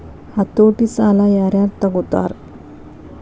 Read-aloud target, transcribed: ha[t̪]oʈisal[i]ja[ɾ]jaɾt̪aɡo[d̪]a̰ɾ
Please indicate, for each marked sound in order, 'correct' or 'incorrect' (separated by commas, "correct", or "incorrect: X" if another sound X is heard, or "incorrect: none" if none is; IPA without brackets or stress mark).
correct, incorrect: a, correct, incorrect: t̪